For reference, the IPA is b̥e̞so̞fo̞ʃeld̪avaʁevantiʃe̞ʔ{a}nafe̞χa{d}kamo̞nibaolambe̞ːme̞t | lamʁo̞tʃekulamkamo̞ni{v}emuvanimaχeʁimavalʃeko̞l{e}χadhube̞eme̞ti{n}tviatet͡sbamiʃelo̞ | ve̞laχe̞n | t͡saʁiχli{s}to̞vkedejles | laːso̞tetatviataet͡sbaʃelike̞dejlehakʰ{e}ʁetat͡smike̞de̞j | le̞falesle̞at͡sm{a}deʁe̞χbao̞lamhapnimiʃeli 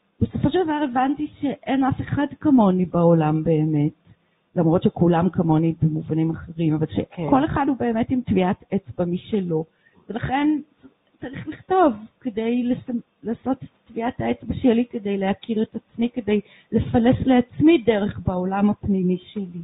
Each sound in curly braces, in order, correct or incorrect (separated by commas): incorrect, correct, incorrect, correct, incorrect, incorrect, incorrect, incorrect